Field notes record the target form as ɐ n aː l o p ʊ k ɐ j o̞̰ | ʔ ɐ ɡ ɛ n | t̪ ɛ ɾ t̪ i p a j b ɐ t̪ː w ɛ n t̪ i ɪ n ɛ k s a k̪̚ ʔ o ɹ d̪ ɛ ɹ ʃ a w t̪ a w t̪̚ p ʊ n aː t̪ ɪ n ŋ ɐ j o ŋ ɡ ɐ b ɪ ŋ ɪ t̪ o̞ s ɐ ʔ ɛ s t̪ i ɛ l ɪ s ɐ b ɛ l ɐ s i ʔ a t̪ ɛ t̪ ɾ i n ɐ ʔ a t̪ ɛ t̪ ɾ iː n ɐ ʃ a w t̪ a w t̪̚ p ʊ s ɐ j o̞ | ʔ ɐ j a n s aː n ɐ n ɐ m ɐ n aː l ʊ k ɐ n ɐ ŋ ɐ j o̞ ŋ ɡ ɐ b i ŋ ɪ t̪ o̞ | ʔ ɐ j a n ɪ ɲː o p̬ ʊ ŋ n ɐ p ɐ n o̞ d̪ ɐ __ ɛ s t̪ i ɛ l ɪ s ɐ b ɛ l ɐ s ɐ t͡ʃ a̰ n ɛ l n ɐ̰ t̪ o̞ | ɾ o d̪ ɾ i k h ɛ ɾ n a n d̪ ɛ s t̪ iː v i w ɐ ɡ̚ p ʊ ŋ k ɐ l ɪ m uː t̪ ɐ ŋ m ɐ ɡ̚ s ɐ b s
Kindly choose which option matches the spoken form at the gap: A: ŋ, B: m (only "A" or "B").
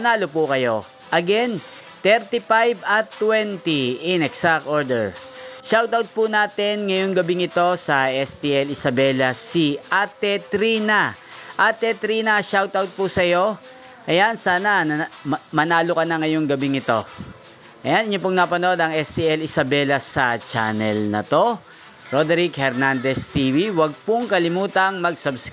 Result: A